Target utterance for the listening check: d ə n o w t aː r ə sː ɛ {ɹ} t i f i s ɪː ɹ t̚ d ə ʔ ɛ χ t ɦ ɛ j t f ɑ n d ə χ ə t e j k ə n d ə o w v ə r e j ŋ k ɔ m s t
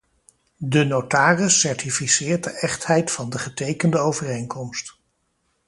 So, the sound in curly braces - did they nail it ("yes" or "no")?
yes